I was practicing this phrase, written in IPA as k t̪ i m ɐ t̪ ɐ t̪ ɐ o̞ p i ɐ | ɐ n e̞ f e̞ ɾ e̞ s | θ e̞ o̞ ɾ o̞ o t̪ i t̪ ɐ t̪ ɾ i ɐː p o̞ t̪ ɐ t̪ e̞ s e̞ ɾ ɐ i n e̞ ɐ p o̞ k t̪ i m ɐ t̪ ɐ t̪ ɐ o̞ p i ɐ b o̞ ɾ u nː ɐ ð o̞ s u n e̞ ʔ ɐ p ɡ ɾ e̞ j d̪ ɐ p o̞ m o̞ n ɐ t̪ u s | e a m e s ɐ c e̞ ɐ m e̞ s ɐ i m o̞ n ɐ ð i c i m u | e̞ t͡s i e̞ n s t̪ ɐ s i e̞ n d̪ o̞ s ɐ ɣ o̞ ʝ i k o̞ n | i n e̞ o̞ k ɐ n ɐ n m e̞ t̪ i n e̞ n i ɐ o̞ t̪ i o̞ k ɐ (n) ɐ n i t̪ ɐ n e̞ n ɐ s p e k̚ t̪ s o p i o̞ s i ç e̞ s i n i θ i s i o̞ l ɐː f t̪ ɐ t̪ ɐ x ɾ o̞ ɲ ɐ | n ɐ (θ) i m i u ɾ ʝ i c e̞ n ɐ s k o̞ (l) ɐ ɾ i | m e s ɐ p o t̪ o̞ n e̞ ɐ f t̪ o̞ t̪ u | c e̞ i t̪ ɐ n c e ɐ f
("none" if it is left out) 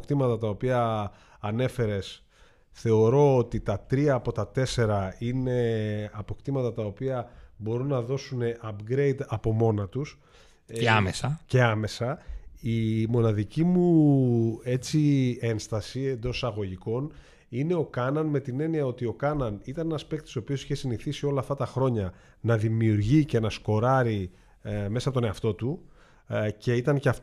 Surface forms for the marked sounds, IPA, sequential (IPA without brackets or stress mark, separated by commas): n, ð, ɾ